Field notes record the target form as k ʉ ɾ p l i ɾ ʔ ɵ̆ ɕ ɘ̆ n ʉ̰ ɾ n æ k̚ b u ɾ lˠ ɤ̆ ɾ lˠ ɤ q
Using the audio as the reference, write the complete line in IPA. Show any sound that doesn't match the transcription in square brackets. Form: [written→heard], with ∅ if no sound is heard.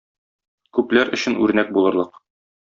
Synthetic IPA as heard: k ʉ [ɾ→∅] p l [i→æ] ɾ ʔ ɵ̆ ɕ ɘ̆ n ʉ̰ ɾ n æ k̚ b u [ɾ→∅] lˠ ɤ̆ ɾ lˠ ɤ q